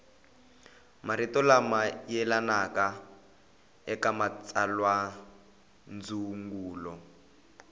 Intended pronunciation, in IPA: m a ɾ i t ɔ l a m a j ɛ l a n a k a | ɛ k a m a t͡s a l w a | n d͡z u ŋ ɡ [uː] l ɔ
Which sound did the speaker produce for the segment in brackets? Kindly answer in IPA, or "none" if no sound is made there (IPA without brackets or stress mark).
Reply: uː